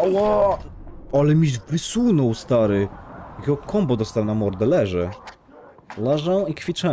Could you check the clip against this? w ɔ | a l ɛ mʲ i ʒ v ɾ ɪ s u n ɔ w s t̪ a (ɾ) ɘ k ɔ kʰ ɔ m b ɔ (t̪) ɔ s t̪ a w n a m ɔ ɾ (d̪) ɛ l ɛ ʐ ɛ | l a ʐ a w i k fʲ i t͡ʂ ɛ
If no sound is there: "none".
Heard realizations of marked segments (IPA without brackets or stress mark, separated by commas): ɾ, d̪, d̪